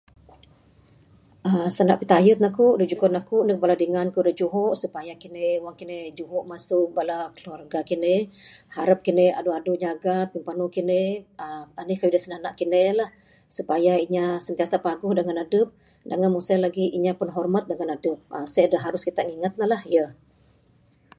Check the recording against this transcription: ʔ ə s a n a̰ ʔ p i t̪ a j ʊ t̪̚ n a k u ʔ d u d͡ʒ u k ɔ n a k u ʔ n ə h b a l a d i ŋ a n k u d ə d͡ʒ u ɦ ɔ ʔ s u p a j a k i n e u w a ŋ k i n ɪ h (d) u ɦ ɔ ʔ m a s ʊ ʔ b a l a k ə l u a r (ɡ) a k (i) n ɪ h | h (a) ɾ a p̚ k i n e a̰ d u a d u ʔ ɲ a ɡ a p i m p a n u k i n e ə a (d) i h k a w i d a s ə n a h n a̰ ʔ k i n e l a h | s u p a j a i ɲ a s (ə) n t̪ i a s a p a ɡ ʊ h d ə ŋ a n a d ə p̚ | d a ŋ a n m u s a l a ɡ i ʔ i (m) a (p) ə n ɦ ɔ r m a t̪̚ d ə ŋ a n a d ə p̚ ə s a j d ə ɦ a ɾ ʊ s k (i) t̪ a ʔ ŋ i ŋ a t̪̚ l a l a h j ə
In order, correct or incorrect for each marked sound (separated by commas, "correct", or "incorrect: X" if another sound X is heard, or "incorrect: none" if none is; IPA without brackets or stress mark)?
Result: incorrect: d͡ʒ, correct, correct, correct, incorrect: n, correct, incorrect: ɲ, correct, correct